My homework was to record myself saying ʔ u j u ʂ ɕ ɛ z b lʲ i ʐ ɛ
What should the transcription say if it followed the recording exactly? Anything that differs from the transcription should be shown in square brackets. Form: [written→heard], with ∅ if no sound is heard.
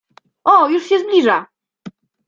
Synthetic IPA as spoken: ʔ [u→ɔ] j u ʂ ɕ ɛ z b lʲ i ʐ [ɛ→a]